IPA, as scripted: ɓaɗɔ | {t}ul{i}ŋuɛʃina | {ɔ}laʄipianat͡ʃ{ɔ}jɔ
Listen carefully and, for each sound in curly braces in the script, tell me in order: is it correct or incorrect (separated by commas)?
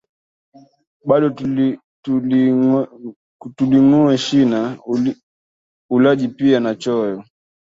correct, correct, incorrect, correct